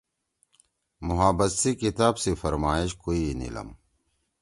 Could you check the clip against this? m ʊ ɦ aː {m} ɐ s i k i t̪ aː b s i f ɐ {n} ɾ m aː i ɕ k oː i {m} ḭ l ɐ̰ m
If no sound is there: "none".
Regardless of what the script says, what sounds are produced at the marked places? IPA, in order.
b, none, n

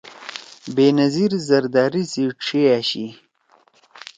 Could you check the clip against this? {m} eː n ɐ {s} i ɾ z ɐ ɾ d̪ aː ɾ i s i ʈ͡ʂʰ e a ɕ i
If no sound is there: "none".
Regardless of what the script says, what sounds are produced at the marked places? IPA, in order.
b, z

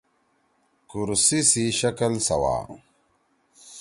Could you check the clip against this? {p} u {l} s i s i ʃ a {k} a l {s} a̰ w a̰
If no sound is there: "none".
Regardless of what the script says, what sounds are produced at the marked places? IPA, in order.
k, ɾ, k, s

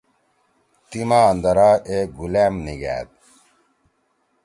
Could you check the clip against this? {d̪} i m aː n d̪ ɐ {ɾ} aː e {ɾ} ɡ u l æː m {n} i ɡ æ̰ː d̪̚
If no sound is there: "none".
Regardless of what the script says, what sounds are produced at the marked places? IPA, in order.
t̪, ɾ, none, n

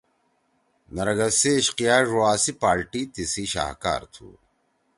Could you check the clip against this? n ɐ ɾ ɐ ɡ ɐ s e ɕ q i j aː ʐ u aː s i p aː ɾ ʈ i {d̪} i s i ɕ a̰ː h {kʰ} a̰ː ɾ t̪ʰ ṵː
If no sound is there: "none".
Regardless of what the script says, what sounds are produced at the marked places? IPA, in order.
t̪, k

